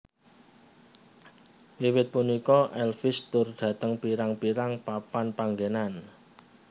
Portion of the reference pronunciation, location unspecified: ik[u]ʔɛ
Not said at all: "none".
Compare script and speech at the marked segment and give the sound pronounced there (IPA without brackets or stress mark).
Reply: ɔ